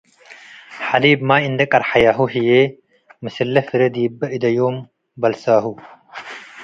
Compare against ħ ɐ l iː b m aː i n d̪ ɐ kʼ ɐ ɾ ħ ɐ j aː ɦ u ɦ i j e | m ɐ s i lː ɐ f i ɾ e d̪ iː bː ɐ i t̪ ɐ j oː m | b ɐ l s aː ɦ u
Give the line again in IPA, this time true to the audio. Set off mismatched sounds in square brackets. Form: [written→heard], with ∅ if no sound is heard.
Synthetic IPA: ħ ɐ l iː b m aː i n d̪ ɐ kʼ ɐ ɾ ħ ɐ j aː ɦ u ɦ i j e | m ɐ s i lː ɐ f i ɾ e d̪ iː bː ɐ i [t̪→d̪] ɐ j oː m | b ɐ l s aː ɦ u